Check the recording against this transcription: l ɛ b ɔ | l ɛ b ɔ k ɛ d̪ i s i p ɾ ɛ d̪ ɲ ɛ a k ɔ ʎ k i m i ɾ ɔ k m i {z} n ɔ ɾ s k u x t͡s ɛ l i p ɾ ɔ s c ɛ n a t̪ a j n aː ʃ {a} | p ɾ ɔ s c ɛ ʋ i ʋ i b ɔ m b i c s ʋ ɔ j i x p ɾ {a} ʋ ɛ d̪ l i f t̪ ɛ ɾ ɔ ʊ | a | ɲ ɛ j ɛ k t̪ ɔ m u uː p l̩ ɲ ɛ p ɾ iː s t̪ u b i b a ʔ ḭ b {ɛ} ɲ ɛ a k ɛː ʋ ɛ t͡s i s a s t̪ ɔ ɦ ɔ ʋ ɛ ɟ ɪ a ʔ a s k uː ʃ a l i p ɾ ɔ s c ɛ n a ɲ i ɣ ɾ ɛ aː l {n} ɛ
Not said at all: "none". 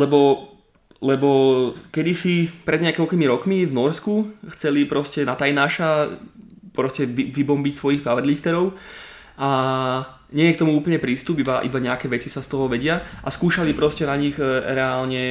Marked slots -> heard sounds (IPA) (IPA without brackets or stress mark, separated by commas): v, a, a, a, ɲ